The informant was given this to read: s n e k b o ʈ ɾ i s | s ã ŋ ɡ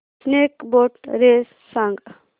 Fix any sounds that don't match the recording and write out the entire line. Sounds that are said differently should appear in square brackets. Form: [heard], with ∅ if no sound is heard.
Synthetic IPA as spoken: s n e k b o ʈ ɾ [e] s | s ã ŋ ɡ